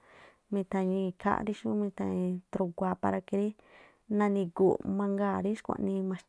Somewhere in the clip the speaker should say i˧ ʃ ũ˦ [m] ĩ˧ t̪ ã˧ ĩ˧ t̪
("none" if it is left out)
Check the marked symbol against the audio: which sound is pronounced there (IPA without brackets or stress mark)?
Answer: m